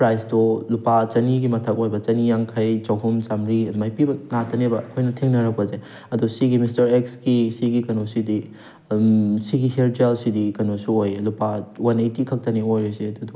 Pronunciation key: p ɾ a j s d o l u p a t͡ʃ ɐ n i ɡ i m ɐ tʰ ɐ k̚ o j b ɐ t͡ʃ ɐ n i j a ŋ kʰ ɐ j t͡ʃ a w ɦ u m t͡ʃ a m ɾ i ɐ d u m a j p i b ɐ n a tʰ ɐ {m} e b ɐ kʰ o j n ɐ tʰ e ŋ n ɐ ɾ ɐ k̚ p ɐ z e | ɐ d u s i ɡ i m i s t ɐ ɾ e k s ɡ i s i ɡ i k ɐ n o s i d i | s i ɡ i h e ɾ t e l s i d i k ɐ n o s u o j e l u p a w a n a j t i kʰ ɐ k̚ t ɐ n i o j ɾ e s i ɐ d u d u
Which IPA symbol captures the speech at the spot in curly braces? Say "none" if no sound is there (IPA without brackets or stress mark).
n